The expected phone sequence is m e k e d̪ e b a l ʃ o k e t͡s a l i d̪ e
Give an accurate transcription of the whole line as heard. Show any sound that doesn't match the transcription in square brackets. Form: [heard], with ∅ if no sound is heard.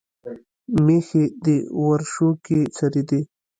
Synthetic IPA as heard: m e [x] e d̪ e [w] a [ɾ] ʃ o k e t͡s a [ɾ] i d̪ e